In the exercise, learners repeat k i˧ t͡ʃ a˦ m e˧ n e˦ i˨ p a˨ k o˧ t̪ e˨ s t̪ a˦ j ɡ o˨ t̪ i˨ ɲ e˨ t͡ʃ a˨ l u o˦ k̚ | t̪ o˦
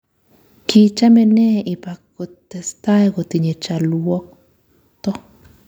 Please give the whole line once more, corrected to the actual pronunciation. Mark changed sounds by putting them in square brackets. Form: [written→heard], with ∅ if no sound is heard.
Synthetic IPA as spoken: k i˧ t͡ʃ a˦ m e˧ n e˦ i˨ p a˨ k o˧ t̪ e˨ s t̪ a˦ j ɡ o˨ t̪ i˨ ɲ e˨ t͡ʃ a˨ l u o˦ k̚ | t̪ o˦